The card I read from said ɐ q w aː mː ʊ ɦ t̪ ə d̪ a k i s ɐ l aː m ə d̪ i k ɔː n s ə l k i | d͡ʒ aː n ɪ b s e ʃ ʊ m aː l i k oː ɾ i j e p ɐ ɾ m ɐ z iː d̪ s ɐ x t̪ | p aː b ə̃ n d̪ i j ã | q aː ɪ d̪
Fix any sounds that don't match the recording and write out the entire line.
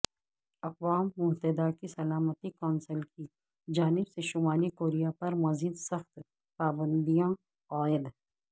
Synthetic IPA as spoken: ɐ q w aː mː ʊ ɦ t̪ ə d̪ a k i s ɐ l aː m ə t̪ i k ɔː n s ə l k i | d͡ʒ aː n ɪ b s e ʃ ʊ m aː l i k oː ɾ i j a p ɐ ɾ m ɐ z iː d̪ s ɐ x t̪ | p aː b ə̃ n d̪ i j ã | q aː ɪ d̪